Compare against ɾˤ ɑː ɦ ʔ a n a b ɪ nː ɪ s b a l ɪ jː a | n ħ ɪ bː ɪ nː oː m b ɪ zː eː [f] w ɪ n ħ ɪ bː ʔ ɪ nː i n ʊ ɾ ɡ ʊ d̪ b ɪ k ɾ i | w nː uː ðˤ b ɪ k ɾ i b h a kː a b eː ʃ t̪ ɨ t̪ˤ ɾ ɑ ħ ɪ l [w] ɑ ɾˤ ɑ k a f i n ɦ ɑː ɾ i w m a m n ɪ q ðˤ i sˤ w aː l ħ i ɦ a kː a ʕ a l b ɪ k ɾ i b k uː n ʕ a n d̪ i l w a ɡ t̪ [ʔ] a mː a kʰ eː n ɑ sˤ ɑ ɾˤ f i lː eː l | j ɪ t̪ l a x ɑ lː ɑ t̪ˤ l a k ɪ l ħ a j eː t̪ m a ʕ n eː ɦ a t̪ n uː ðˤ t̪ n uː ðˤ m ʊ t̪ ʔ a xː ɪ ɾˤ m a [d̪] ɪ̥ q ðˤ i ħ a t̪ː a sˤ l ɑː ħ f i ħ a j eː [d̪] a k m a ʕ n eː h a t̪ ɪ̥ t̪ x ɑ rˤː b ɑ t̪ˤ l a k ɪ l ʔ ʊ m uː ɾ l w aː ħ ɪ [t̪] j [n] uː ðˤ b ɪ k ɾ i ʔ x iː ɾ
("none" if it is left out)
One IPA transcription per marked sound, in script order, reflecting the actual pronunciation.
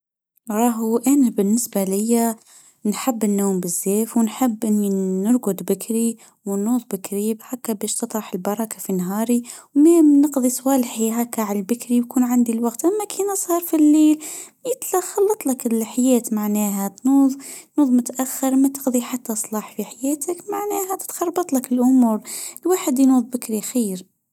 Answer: f, b, ʔ, t̪, t̪, d̪, n

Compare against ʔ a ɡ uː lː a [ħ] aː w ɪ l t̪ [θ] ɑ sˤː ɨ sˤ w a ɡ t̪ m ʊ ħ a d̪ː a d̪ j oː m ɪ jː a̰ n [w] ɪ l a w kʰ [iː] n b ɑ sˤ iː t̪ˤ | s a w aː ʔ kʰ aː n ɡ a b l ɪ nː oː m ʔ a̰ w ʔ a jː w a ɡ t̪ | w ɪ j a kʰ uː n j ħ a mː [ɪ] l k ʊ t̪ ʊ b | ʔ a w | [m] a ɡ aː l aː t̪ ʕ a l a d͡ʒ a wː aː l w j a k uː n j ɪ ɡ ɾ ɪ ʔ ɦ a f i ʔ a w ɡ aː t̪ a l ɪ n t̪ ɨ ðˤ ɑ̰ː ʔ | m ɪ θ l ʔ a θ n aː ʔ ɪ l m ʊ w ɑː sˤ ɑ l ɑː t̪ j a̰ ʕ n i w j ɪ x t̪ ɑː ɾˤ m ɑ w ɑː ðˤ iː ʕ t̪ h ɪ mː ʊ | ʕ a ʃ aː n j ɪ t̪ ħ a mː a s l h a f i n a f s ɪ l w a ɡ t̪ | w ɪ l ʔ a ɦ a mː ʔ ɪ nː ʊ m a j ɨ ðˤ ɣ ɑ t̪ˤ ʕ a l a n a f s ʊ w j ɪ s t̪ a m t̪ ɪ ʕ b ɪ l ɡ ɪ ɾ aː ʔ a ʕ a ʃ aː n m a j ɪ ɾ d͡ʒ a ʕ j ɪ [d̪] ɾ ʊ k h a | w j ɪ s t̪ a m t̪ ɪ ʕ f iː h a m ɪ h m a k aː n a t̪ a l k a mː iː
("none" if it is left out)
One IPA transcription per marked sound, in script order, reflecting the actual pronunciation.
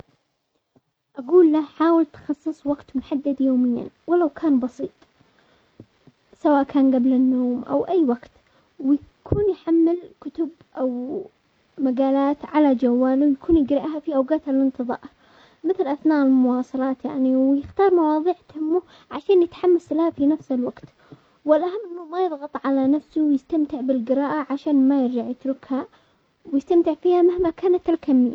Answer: ħ, x, w, aː, ɪ, m, t̪

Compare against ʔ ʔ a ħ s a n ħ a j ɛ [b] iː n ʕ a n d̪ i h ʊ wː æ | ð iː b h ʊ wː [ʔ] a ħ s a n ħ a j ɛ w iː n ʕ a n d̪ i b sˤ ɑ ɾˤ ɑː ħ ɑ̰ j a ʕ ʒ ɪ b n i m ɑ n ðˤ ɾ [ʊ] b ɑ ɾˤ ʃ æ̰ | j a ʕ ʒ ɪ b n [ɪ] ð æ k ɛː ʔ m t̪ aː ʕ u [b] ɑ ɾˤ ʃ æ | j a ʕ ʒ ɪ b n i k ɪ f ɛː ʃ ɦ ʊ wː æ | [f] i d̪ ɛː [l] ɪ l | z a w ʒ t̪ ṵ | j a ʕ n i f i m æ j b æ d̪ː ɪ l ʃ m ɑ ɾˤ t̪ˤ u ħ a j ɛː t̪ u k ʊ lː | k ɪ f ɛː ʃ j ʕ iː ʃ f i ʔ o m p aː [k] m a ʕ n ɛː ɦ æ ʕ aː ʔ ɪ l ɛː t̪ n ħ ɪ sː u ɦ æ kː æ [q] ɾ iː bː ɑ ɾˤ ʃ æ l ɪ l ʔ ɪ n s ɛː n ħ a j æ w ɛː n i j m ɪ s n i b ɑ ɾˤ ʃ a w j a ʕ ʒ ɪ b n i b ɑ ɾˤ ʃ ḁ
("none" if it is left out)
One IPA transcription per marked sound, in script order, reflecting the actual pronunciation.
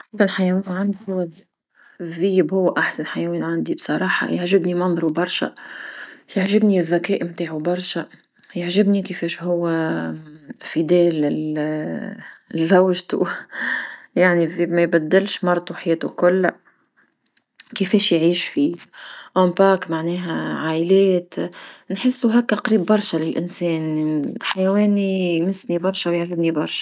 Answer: w, ʔ, u, i, b, f, l, k, q

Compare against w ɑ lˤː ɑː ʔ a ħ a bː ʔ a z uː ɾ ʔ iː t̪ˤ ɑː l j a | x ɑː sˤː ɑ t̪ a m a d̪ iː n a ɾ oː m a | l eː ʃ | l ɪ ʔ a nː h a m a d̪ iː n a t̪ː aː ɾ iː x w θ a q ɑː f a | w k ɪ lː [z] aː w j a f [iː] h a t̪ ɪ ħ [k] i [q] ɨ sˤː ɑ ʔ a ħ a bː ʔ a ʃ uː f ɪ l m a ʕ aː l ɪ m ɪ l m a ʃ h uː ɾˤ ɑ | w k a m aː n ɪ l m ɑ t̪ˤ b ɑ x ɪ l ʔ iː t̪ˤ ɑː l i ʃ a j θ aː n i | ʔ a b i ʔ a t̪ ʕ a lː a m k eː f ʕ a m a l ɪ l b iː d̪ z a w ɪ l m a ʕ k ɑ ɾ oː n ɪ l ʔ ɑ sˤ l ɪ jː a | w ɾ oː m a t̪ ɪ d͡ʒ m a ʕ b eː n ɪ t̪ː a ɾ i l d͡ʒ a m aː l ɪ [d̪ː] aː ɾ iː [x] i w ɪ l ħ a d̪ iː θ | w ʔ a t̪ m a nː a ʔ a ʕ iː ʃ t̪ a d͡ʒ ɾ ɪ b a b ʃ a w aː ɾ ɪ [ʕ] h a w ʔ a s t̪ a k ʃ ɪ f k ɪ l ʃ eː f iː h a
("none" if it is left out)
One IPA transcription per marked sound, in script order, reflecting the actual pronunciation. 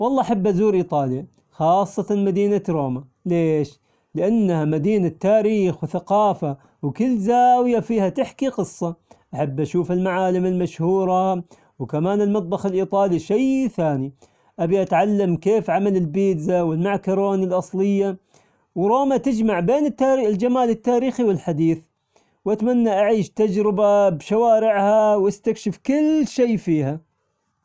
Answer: z, iː, k, q, t̪ː, x, ʕ

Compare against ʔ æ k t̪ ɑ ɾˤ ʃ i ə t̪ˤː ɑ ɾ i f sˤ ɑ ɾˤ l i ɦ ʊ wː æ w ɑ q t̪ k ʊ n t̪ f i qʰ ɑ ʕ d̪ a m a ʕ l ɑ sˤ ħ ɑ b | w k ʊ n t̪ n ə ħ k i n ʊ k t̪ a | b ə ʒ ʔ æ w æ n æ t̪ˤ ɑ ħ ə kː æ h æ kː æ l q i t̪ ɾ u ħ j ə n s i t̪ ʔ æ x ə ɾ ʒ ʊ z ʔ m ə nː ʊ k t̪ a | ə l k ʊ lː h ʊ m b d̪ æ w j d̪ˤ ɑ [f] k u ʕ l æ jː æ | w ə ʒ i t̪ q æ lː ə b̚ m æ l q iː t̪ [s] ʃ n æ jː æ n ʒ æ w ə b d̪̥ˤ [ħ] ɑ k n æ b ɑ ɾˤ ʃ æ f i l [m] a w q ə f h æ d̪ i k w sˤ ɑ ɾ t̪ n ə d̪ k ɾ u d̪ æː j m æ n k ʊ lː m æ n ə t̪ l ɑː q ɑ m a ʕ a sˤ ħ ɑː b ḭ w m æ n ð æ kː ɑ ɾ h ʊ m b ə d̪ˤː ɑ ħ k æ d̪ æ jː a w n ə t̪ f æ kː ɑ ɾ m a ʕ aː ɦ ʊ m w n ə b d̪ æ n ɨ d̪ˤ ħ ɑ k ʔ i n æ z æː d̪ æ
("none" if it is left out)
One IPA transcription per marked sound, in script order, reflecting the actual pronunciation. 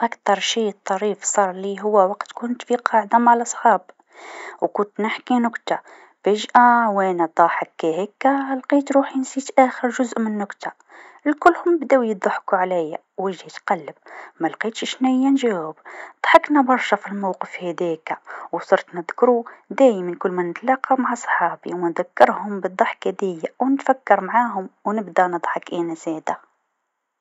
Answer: ħ, ʃ, ħ, m

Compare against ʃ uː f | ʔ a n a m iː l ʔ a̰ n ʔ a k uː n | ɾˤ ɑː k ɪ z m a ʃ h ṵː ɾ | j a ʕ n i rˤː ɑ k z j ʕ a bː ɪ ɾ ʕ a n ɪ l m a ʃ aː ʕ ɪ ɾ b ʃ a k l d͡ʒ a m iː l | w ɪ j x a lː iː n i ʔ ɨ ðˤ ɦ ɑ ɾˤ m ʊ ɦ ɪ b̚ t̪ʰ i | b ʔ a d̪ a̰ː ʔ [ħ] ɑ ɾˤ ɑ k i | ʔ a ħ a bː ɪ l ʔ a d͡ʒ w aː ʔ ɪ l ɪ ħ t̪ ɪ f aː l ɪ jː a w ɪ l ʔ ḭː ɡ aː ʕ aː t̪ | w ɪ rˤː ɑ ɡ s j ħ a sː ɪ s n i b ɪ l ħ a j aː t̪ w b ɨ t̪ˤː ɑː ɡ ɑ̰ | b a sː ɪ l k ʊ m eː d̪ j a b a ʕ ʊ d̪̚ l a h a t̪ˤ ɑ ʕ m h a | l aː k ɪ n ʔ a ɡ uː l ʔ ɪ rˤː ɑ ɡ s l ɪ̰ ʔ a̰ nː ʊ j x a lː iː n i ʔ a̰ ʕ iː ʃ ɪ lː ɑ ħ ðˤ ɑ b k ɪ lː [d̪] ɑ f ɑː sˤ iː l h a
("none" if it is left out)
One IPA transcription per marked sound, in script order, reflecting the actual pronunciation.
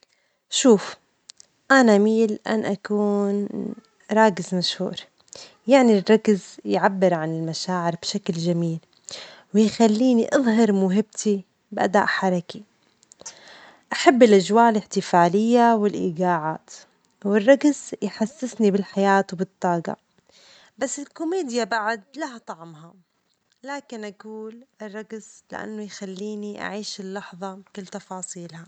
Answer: ħ, t̪

